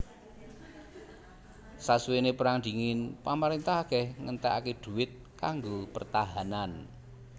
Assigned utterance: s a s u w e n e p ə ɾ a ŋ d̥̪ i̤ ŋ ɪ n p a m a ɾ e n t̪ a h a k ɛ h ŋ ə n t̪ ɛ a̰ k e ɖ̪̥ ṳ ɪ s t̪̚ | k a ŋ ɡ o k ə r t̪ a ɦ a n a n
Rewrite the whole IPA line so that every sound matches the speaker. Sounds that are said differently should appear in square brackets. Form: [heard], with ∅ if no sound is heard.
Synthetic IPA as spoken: s a s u w e n e p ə ɾ a ŋ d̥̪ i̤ ŋ ɪ n p a m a ɾ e n t̪ a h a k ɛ h ŋ ə n t̪ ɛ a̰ k e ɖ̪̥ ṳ ɪ [∅] t̪̚ | k a ŋ ɡ o [p] ə r t̪ a ɦ a n a n

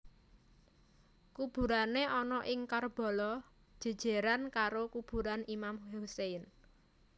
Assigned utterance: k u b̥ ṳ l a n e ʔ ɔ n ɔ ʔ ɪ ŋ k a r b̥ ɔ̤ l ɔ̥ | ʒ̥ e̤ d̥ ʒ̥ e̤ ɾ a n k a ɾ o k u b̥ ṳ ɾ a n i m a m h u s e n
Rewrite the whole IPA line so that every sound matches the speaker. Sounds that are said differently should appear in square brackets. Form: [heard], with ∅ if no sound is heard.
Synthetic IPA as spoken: k u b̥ ṳ [ɾ] a n e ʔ ɔ n ɔ ʔ ɪ ŋ k a r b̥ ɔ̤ l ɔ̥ | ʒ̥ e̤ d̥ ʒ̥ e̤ ɾ a n k a ɾ o k u b̥ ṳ ɾ a n i m a m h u s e n

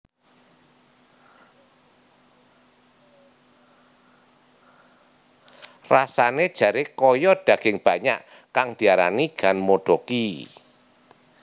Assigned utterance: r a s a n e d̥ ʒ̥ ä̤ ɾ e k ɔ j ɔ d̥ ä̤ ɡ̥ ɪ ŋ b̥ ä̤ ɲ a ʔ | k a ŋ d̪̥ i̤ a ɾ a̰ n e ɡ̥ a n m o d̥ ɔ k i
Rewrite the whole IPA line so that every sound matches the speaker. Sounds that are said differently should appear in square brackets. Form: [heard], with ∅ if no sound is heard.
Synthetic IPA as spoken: r a s a n e d̥ ʒ̥ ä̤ ɾ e k ɔ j ɔ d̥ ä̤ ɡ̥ ɪ ŋ b̥ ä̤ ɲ a ʔ | k a ŋ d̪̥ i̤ a ɾ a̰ n [i] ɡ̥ a n m o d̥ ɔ k i

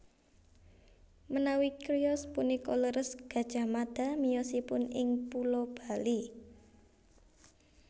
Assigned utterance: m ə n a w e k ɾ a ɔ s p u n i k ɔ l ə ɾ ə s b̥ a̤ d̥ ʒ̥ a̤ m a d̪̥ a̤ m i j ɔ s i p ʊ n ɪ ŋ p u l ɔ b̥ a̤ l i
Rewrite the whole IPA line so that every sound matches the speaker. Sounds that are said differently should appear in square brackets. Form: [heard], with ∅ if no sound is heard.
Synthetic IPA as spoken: m ə n a w [i] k ɾ [i] ɔ s p u n i k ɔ l ə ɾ ə s [ɡ̥] a̤ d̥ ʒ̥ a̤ m a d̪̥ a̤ m i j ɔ s i p ʊ n ɪ ŋ p u l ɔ b̥ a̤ l i

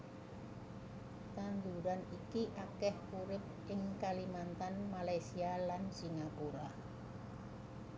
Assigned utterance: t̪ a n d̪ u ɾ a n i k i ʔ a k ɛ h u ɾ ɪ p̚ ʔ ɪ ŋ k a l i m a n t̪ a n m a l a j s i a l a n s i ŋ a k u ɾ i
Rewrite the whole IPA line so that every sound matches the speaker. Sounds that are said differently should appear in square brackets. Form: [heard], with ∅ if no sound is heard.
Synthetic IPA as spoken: t̪ a n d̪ u ɾ a n i k i ʔ a k ɛ h u ɾ ɪ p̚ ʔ ɪ ŋ k a l i m a n t̪ a n m a l a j s i a l a n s i ŋ a k u ɾ [a]

